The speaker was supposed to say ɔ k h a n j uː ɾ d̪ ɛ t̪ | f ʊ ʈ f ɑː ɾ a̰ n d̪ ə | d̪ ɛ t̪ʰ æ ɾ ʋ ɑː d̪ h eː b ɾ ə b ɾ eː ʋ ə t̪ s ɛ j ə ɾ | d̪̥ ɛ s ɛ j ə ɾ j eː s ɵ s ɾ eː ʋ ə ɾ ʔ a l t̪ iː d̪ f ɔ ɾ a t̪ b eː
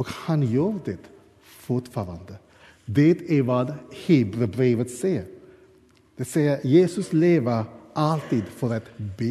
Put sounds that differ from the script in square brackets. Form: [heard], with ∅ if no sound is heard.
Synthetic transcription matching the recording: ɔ k h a n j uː ɾ d̪ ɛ t̪ | f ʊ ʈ f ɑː ɾ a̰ n d̪ ə | d̪ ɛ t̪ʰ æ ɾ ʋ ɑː d̪ h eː b ɾ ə b ɾ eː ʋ ə t̪ s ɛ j ə ɾ | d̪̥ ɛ s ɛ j ə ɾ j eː s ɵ s [l] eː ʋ ə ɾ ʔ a l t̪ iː d̪ f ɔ ɾ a t̪ b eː